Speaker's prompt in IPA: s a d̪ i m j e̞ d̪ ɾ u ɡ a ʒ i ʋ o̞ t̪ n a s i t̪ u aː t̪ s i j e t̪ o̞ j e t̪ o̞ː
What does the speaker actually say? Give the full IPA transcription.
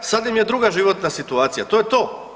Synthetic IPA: s a d̪ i m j e̞ d̪ ɾ u ɡ a ʒ i ʋ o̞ t̪ n a s i t̪ u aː t̪ s i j a t̪ o̞ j e t̪ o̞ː